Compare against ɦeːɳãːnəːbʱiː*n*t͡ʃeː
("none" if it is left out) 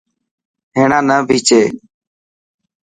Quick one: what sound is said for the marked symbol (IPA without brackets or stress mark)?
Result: none